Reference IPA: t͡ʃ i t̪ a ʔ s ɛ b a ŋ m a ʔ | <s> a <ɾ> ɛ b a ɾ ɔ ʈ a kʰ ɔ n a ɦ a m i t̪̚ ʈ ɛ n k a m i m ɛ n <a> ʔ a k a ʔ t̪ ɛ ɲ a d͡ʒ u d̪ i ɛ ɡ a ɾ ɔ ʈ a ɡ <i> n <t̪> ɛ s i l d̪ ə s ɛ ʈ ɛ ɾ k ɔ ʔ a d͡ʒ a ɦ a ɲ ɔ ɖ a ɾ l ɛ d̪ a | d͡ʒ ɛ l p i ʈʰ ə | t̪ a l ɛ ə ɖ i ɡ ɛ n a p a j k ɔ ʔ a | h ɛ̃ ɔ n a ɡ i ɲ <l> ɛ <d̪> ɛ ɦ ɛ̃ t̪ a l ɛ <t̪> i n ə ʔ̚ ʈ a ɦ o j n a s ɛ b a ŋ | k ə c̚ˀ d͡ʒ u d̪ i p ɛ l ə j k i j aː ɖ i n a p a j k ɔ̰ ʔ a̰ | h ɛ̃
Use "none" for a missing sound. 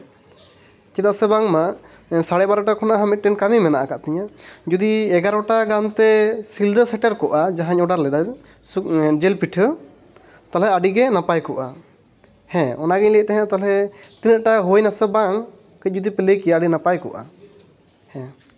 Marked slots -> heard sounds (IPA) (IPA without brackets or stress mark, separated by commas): s, ɽ, a, a, t̪, l, t̪, t̪